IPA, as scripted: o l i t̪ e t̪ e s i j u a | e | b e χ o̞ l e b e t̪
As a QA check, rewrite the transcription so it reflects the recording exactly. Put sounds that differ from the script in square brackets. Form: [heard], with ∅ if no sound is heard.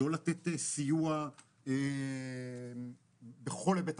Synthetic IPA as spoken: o l [a] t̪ e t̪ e s i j u a | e | b e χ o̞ l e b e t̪